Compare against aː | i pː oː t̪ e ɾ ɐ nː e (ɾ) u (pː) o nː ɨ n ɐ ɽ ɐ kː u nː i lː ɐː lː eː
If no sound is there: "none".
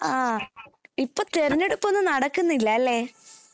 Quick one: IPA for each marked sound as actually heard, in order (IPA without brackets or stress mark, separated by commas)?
ɽ, pː